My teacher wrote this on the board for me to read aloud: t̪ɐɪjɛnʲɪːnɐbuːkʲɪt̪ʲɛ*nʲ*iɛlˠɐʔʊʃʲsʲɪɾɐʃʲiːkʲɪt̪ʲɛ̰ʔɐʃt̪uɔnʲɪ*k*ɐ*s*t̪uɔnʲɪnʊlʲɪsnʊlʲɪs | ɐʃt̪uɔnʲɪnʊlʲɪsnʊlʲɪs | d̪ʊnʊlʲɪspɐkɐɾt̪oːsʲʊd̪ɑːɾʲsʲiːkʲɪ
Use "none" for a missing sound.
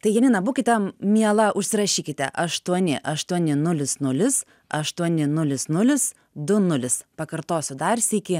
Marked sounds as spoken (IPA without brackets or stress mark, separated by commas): mʲ, ʔ, ʃ